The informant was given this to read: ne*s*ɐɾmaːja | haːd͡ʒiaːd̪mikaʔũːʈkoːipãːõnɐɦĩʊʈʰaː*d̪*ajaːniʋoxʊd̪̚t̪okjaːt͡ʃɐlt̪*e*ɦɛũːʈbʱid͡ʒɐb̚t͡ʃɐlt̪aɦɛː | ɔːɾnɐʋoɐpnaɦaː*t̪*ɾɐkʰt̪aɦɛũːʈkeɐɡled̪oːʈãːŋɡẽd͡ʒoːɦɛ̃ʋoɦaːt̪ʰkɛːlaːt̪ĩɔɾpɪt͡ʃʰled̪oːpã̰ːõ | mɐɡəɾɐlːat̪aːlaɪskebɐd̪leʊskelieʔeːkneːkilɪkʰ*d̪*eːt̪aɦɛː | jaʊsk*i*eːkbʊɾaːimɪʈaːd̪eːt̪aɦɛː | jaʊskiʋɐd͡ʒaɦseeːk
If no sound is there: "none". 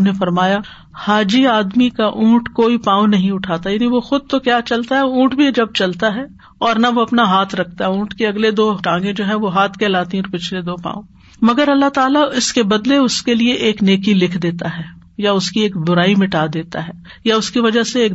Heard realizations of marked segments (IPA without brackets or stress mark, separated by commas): f, t̪, a, t̪ʰ, d̪, i